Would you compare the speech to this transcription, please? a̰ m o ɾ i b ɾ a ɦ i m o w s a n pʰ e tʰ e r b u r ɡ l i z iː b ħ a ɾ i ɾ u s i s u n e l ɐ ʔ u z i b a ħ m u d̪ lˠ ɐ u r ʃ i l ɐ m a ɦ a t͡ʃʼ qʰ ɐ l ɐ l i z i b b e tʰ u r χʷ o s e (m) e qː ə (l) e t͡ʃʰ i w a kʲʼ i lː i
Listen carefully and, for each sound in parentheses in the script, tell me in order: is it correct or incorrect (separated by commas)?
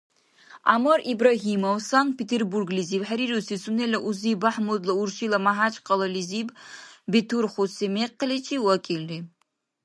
correct, correct